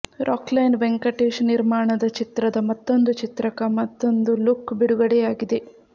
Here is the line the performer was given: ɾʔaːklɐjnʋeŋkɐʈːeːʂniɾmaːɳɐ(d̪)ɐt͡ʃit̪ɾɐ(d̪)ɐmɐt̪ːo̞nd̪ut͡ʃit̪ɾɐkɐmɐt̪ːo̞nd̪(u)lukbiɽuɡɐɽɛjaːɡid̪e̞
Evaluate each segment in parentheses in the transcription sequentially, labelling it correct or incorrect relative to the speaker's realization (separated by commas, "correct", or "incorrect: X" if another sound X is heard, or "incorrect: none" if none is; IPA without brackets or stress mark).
correct, correct, correct